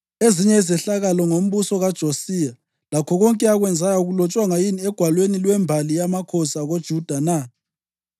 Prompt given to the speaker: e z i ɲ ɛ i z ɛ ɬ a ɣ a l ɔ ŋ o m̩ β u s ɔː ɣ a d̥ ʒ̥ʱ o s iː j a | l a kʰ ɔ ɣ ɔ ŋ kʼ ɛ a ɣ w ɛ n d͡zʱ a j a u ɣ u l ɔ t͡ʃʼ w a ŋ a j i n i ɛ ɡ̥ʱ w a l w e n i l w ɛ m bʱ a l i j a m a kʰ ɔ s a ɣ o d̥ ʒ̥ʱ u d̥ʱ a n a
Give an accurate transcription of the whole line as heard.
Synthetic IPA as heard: e z i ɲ ɛ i z ɛ ɬ a ɣ a l ɔ ŋ o m̩ β u s ɔ ɣ a d̥ ʒ̥ʱ o s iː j a | l a kʰ ɔ ɣ ɔ ŋ kʼ ɛ a ɣ w ɛ n d͡zʱ a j a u ɣ u l ɔ t͡ʃʼ w a ŋ a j i n i ɛ ɡ̥ʱ w a l w e n i l w ɛ m bʱ a l i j a m a kʰ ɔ s a ɣ o d̥ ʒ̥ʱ u d̥ʱ a n a